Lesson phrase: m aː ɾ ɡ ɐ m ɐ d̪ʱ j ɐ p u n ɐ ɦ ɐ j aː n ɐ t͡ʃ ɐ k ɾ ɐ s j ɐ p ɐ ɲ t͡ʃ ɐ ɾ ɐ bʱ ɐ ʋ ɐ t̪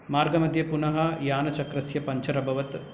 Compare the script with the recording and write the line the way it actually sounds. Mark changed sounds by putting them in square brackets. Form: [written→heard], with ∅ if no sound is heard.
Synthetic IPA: m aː ɾ ɡ ɐ m ɐ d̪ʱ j ɐ p u n ɐ ɦ ɐ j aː n ɐ t͡ʃ ɐ k ɾ ɐ s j ɐ p ɐ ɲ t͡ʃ ɐ ɾ ɐ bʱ ɐ ʋ ɐ t̪